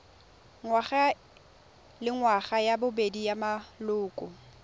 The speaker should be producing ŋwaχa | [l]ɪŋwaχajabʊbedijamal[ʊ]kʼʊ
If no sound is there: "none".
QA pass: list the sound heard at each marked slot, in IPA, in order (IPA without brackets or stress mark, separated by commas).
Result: l, ʊː